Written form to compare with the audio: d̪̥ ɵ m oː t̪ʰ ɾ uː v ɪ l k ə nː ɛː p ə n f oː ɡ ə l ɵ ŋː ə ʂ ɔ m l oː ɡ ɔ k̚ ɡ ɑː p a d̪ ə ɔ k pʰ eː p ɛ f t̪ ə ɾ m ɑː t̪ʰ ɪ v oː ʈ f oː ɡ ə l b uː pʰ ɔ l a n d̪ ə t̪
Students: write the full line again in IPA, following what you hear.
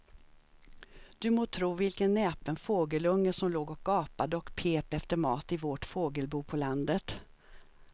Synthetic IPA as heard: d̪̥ ɵ m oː t̪ʰ ɾ uː v ɪ l k ə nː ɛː p ə n f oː ɡ ə l ɵ ŋː ə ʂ ɔ m l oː ɡ ɔ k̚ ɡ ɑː p a d̪ ə ɔ k pʰ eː p ɛ f t̪ ə ɾ m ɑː t̪ ɪ v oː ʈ f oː ɡ ə l b uː pʰ ɔ l a n d̪ ə t̪